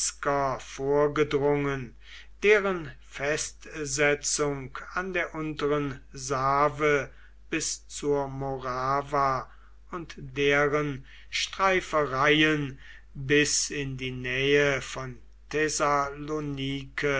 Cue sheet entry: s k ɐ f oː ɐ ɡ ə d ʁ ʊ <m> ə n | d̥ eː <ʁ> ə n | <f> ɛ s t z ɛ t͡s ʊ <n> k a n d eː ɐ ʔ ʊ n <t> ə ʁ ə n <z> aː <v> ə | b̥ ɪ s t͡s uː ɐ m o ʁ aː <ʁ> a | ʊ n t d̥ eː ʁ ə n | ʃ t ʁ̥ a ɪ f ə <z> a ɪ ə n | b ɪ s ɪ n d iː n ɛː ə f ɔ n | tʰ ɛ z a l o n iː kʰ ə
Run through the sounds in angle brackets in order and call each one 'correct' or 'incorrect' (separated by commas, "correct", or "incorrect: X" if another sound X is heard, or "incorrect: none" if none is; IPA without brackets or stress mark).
incorrect: ŋ, correct, correct, incorrect: ŋ, correct, correct, correct, incorrect: v, incorrect: ʁ